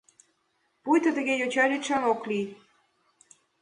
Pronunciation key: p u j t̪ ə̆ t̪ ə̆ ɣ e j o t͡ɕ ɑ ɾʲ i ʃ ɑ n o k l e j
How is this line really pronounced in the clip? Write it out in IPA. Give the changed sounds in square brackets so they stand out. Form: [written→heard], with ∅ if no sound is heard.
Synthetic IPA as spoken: p u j t̪ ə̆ t̪ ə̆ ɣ e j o t͡ɕ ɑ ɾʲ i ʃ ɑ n o k l [e→i] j